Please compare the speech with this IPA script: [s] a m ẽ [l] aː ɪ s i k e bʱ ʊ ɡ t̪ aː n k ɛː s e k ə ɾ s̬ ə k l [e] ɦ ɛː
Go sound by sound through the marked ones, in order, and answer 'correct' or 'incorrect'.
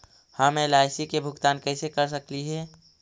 incorrect, correct, incorrect

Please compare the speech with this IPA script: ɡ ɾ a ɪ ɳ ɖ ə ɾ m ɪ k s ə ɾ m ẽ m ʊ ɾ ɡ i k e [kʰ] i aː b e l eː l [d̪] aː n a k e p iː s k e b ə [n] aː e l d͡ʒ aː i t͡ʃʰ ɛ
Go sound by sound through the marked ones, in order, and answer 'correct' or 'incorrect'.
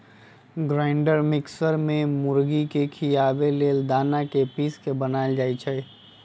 correct, correct, correct

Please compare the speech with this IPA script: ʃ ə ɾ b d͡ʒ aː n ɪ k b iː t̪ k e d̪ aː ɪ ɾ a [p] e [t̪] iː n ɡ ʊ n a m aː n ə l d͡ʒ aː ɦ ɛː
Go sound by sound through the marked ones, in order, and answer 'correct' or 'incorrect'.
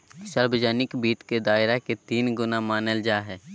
incorrect, correct

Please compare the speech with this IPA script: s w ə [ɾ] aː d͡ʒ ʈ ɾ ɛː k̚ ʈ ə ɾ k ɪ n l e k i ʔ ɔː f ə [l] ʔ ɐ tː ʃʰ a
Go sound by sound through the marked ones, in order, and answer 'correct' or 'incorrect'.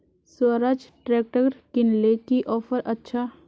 correct, incorrect

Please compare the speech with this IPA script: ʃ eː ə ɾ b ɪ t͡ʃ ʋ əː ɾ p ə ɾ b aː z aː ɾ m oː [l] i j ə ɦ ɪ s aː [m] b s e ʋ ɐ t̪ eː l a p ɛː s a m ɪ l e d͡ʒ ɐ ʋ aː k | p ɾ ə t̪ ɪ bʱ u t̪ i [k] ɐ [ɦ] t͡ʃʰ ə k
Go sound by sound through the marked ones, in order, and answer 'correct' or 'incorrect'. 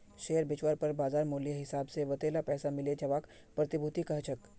correct, incorrect, correct, correct

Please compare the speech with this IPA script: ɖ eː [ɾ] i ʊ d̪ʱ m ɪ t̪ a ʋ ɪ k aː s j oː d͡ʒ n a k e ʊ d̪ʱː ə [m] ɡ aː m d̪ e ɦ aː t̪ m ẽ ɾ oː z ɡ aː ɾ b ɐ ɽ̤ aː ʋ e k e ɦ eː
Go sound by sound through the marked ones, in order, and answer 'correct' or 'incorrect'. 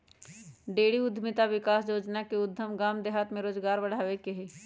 incorrect, correct

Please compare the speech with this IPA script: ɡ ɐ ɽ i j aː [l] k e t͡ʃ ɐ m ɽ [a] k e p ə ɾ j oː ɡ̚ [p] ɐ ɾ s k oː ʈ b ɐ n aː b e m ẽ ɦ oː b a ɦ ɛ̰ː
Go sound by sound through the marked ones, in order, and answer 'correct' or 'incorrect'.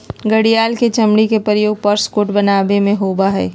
correct, incorrect, correct

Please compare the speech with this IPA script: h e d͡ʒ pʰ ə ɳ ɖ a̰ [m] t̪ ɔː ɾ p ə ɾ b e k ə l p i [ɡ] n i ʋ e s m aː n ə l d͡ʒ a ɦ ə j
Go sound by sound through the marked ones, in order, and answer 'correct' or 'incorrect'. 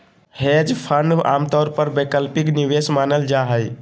correct, incorrect

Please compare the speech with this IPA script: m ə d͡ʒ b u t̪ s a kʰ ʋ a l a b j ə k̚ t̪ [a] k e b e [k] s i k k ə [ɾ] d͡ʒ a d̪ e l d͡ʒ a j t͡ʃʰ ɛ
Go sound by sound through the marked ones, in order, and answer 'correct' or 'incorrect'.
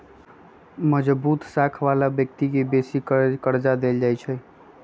incorrect, incorrect, correct

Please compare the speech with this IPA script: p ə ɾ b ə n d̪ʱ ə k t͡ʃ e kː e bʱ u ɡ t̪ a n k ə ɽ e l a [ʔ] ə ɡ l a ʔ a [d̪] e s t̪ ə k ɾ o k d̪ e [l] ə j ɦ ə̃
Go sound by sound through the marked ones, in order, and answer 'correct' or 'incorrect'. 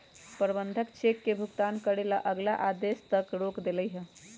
correct, correct, correct

